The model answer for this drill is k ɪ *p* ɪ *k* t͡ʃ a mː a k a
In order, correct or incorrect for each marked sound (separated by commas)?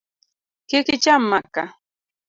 incorrect, incorrect